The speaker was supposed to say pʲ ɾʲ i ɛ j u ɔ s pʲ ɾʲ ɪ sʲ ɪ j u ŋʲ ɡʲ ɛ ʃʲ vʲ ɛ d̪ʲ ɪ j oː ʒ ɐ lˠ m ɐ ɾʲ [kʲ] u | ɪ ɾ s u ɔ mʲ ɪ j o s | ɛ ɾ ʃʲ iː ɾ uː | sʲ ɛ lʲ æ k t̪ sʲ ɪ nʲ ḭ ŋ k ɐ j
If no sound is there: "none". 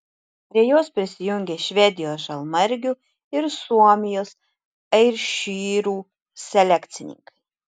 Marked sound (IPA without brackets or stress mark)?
ɡʲ